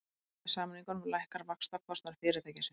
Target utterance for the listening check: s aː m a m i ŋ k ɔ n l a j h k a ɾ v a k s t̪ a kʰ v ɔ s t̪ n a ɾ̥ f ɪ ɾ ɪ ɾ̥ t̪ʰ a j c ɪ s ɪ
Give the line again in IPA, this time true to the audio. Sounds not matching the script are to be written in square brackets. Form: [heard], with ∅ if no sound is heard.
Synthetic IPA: s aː m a [n] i ŋ k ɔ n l a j h k a ɾ v a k s t̪ a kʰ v ɔ s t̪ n a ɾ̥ f ɪ ɾ ɪ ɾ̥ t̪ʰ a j c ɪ s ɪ